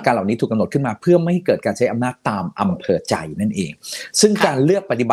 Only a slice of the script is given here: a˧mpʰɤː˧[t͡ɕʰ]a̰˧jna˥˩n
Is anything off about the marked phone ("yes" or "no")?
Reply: yes